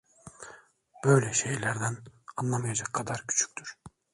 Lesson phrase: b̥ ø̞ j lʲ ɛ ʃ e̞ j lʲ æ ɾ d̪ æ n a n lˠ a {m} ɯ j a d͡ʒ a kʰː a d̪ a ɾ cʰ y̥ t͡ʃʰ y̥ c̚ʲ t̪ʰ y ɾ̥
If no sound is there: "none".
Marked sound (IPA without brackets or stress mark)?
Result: m